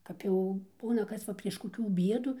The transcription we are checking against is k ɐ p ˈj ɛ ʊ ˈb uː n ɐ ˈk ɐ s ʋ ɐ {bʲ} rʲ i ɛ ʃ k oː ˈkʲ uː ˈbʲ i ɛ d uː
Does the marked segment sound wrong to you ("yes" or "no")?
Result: yes